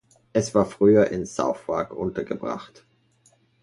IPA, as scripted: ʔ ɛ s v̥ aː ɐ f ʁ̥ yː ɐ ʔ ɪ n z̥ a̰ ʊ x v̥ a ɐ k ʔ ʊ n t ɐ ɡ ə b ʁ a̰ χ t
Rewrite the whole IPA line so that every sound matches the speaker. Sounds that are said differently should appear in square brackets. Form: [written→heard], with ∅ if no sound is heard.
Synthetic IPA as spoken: ʔ ɛ s v̥ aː ɐ f ʁ̥ yː ɐ ʔ ɪ n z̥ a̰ ʊ [x→f] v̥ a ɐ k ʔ ʊ n t ɐ ɡ ə b ʁ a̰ χ t